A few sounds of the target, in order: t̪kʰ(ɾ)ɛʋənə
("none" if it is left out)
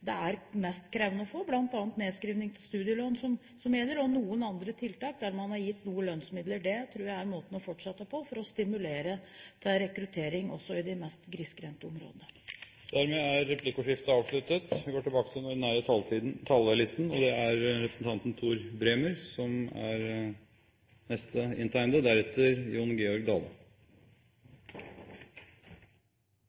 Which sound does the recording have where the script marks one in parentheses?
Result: ɾ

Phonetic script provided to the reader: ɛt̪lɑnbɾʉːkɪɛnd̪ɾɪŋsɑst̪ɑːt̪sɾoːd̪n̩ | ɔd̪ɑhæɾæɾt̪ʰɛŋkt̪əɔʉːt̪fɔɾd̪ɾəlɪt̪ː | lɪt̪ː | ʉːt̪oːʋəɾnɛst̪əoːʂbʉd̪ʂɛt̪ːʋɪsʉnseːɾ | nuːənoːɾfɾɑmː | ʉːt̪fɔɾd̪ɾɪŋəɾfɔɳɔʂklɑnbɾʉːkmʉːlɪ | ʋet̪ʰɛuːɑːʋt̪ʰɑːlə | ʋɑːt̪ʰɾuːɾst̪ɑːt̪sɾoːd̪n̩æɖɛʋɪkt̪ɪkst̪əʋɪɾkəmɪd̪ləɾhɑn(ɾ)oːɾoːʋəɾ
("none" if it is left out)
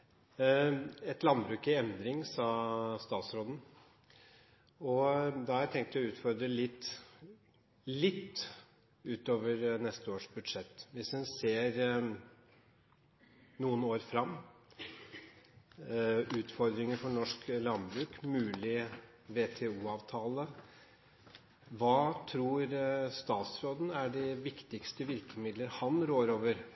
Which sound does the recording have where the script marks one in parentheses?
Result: ɾ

